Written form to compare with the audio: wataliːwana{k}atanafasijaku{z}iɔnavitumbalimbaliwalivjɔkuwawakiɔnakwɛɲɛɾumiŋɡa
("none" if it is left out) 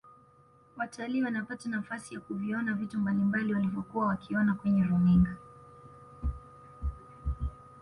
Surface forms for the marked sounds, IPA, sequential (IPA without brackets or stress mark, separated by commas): p, v